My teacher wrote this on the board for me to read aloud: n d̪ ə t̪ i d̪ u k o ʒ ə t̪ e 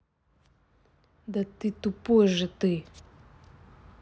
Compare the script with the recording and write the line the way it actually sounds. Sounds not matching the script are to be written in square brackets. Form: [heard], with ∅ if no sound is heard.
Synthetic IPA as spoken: n d̪ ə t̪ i [t̪] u [p] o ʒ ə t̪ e